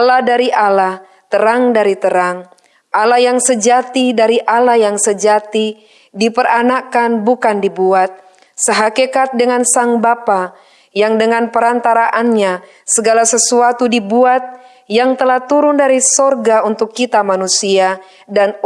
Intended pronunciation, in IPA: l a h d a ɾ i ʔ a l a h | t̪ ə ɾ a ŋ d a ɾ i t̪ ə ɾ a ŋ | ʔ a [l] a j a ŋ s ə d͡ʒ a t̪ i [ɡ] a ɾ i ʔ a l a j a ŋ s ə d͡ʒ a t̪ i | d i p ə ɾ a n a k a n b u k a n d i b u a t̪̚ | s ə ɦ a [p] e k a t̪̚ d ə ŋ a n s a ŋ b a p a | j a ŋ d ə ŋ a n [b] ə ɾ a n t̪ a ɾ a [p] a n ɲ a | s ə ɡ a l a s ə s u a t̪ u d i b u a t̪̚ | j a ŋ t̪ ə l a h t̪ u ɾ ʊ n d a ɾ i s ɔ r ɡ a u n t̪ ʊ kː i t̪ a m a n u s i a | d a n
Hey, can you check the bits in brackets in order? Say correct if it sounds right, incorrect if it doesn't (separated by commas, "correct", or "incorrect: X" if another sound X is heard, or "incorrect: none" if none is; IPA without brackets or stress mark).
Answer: correct, incorrect: d, incorrect: k, incorrect: p, incorrect: ʔ